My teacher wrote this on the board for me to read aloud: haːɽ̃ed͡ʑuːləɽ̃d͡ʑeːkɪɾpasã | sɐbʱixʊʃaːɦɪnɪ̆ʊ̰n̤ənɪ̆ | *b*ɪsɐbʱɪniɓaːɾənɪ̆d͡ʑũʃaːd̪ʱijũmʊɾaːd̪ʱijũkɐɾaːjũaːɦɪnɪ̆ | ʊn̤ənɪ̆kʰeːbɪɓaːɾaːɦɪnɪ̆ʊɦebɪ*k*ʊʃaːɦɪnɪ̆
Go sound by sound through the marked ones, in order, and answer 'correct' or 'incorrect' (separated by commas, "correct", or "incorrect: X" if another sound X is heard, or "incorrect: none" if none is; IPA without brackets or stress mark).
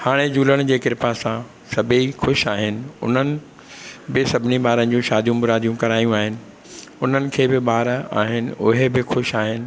correct, incorrect: x